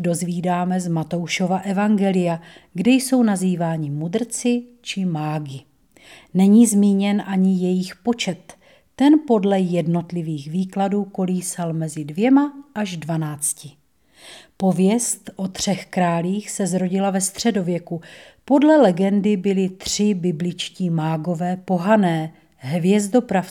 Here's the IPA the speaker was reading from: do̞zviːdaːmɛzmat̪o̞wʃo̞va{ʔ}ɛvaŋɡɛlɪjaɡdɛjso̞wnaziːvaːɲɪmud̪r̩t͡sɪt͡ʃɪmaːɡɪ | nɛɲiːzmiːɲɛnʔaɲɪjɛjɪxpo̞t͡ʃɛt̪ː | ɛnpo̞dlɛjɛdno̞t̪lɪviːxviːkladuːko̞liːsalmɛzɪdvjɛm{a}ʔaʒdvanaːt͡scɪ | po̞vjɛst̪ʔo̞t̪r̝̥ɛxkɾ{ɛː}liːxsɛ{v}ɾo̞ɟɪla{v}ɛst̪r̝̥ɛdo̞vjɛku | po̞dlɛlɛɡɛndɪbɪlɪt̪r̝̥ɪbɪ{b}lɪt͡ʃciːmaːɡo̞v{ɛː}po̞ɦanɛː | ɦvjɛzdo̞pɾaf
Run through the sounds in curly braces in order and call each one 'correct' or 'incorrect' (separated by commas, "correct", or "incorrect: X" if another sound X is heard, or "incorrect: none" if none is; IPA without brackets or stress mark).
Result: correct, correct, incorrect: aː, incorrect: z, correct, correct, correct